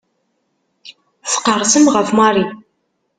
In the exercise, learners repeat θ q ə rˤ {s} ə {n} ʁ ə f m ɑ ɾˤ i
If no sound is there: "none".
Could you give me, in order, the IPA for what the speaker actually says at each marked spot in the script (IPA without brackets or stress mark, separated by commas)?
s, m